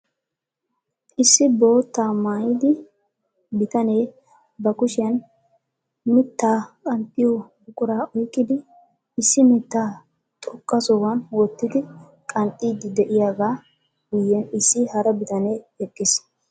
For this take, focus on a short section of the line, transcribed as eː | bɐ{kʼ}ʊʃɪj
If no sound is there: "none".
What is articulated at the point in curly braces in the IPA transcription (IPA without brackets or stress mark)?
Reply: k